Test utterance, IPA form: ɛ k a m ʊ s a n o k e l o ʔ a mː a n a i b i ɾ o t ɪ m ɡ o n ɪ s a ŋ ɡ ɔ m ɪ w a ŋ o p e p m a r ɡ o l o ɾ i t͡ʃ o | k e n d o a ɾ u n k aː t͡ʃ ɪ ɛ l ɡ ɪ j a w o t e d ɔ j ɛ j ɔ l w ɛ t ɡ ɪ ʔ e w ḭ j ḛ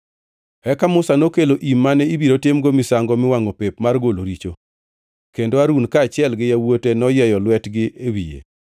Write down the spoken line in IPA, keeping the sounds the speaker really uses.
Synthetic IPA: ɛ k a m ʊ s a n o k e l o ʔ i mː a n ɛ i b i ɾ o t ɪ m ɡ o m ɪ s a ŋ ɡ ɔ m ɪ w a ŋ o p e p m a r ɡ o l o ɾ i t͡ʃ o | k e n d o a ɾ u n k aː t͡ʃ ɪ ɛ l ɡ ɪ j a w o t e n ɔ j ɛ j ɔ l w ɛ t ɡ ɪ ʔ e w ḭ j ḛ